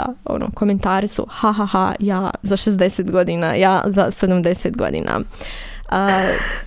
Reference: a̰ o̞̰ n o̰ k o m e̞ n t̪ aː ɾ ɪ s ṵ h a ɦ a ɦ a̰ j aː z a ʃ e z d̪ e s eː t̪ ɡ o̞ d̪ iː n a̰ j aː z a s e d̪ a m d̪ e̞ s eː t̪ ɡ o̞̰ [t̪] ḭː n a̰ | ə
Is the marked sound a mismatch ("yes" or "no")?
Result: yes